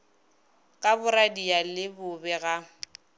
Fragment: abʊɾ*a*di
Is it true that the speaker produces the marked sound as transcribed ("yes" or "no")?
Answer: yes